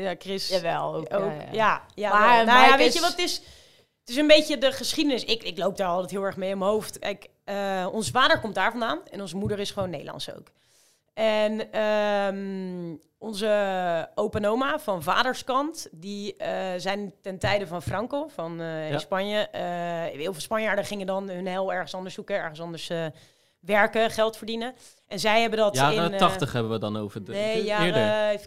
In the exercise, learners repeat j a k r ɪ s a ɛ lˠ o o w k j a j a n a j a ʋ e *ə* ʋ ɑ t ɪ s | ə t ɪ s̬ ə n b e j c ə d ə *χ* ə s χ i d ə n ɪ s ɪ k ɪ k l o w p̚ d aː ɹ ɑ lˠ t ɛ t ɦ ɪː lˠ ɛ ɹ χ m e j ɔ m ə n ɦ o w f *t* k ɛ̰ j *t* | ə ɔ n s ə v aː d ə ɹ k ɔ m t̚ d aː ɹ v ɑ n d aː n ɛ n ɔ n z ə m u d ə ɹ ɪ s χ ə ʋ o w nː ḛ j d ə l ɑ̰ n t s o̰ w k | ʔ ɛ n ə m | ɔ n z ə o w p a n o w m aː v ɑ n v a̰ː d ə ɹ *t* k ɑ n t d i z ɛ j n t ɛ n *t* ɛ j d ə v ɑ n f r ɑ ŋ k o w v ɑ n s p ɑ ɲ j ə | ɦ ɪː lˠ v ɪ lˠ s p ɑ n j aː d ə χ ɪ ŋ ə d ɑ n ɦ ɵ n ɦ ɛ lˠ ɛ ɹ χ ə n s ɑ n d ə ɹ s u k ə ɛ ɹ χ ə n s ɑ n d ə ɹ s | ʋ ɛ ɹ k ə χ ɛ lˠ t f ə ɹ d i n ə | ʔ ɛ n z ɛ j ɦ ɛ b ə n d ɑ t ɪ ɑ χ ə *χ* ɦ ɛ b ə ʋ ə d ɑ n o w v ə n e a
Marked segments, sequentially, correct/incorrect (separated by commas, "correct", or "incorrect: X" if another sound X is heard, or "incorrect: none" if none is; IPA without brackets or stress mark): correct, correct, correct, incorrect: k, incorrect: s, correct, correct